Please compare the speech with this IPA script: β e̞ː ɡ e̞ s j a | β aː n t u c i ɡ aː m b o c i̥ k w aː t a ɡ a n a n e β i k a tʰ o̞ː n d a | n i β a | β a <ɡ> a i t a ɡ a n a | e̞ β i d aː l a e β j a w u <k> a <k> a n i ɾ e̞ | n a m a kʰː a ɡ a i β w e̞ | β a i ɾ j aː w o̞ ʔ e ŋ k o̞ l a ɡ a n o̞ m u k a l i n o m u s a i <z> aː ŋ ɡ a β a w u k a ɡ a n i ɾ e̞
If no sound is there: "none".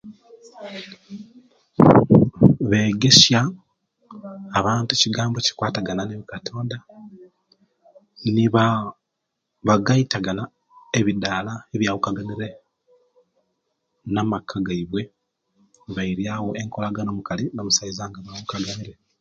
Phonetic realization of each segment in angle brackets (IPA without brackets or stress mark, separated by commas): ɡ, k, ɡ, z